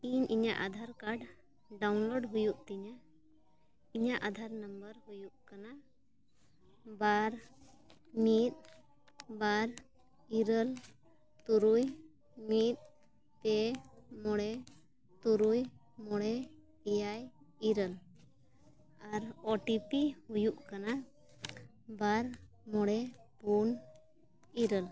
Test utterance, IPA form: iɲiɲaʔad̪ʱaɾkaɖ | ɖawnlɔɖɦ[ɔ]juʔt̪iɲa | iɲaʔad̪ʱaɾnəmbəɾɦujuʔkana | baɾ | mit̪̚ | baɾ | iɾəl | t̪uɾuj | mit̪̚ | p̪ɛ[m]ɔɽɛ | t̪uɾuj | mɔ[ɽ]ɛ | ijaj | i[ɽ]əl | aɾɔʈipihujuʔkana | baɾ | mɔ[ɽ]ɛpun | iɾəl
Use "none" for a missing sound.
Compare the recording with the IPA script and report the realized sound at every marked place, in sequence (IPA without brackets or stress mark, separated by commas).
u, m, ɽ, ɾ, ɽ